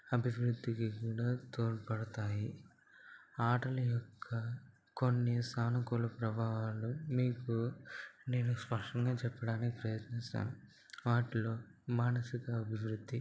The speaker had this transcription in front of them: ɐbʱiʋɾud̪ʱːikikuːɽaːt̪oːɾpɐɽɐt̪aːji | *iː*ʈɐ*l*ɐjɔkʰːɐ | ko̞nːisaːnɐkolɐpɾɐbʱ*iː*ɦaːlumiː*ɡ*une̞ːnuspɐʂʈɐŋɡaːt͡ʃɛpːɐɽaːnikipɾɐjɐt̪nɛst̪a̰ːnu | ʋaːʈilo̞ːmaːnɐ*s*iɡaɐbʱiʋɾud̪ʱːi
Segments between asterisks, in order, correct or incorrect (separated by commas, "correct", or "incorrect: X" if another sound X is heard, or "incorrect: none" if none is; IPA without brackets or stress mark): incorrect: aː, correct, incorrect: aː, incorrect: k, correct